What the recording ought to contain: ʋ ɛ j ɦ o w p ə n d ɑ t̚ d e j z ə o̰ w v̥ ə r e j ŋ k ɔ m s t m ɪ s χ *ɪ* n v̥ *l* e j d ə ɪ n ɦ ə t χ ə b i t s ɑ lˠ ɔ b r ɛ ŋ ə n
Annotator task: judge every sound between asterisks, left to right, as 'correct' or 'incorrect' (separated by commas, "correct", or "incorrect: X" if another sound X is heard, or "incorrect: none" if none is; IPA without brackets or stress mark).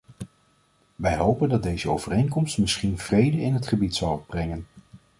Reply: incorrect: i, incorrect: r